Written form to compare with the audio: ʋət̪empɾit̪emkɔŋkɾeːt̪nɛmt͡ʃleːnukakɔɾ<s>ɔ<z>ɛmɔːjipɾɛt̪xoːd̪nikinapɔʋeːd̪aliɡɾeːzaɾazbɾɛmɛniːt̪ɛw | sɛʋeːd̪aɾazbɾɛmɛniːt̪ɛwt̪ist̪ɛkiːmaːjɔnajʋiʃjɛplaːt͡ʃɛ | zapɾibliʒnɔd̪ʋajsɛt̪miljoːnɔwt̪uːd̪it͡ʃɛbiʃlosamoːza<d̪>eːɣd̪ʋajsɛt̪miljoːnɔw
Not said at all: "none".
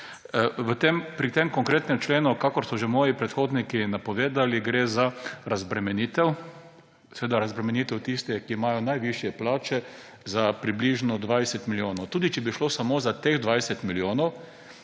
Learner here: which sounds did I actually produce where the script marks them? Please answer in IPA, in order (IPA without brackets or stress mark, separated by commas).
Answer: s, ʒ, t̪